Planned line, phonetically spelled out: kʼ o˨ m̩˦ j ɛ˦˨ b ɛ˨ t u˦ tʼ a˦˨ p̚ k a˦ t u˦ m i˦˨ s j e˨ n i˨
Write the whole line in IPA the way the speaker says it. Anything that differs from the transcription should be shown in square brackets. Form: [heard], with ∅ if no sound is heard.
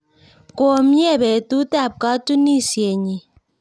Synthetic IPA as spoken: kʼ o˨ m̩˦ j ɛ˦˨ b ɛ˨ t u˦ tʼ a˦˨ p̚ k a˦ t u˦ [n] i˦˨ s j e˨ [ɲ] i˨